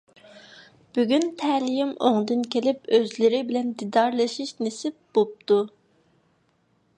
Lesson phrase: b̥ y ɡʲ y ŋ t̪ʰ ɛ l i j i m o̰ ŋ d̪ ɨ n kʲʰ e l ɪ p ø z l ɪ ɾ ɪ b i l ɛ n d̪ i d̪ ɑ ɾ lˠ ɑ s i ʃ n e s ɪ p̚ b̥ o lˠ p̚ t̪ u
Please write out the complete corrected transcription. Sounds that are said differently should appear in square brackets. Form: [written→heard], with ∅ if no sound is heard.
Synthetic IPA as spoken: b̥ y ɡʲ y [ŋ→n] t̪ʰ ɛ l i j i m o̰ ŋ d̪ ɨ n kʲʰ e l ɪ p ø z l ɪ ɾ ɪ b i l ɛ n d̪ i d̪ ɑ ɾ lˠ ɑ [s→ʃ] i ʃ n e s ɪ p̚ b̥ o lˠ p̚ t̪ u